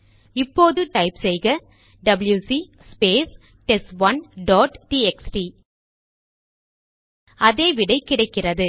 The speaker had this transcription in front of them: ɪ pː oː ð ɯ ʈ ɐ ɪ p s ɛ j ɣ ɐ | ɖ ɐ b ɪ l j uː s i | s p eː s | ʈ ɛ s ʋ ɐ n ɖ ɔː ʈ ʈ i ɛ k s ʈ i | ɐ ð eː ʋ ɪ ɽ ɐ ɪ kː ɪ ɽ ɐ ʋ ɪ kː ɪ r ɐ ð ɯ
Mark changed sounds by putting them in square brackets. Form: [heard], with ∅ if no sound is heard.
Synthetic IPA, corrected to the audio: ɪ pː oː ð ɯ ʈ ɐ ɪ p s ɛ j ɣ ɐ | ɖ ɐ b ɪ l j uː s i | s p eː s | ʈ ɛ s ʋ ɐ n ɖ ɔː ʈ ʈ i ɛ k s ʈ i | ɐ ð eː ʋ ɪ ɽ ɐ ɪ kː ɪ ɽ ɐ [∅] ɪ kː ɪ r ɐ ð ɯ